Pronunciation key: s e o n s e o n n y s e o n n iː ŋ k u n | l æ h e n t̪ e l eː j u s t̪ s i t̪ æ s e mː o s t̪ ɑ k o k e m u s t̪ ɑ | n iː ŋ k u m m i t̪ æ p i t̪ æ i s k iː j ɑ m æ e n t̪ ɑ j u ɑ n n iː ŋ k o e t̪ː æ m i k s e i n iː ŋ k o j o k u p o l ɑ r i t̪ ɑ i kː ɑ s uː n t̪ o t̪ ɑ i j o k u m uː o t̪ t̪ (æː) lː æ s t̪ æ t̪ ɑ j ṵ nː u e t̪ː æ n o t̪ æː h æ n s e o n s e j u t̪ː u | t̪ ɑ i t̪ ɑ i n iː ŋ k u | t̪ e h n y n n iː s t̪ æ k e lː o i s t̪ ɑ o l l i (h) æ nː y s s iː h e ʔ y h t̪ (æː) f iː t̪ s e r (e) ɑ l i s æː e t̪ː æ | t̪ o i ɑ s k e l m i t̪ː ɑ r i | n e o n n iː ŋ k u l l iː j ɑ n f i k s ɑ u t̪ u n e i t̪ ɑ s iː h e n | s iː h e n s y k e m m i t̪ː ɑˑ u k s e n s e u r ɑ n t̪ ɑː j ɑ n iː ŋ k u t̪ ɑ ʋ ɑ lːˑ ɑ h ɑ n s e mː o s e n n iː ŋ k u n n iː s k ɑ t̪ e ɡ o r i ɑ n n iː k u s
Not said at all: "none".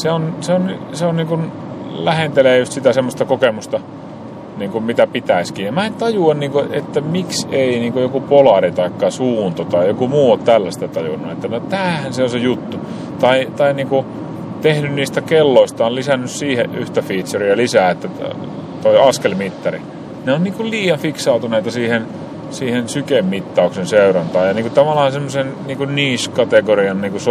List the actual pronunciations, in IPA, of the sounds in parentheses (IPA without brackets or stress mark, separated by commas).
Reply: æ, s, æ, i